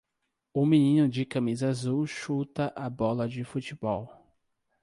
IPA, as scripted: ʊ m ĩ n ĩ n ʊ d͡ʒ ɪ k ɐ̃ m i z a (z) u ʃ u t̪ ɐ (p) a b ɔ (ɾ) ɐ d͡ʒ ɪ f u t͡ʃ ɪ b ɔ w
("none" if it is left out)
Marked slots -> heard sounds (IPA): z, ʔ, l

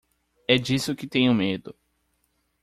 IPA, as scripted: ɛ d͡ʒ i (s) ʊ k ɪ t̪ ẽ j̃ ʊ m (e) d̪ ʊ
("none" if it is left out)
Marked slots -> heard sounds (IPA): s, e

